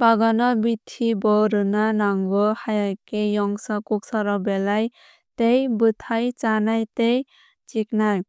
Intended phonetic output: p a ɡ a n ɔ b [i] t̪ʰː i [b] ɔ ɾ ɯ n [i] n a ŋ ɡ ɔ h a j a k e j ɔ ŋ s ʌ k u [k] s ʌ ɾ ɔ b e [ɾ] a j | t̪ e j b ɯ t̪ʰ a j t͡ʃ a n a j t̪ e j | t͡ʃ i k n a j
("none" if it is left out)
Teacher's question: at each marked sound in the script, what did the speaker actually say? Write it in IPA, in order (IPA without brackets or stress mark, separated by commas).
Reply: i, b, a, k, l